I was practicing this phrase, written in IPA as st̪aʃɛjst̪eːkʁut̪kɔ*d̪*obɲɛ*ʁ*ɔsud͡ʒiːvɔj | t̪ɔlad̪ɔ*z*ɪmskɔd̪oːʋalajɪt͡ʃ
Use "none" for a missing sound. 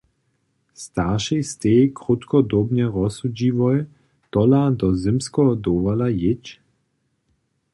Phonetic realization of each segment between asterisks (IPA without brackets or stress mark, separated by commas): d̪, ʁ, z